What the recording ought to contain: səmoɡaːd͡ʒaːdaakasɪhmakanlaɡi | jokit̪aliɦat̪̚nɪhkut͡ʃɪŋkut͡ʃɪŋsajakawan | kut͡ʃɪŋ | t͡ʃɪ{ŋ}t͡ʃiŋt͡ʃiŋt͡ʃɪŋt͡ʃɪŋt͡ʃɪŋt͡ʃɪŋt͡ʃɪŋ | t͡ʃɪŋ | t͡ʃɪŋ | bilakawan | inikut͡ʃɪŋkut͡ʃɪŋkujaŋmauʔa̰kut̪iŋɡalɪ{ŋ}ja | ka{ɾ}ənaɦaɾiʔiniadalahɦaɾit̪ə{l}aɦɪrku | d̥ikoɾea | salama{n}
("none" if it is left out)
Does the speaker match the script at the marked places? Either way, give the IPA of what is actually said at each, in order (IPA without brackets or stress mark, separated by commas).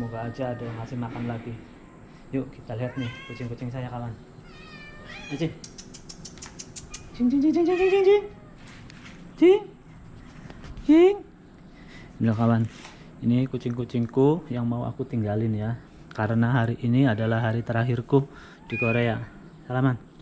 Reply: ŋ, n, ɾ, ɾ, n